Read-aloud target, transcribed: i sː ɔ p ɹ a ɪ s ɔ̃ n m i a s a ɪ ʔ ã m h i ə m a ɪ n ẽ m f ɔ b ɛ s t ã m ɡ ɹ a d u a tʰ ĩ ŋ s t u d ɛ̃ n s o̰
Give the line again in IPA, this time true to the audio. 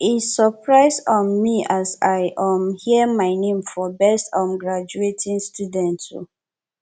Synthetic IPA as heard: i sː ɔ p ɹ a ɪ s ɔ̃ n m i a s a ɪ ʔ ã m h i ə m a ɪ n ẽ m f ɔ b ɛ s t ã m ɡ ɹ a d͡ʒ u e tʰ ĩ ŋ s t u d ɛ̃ n t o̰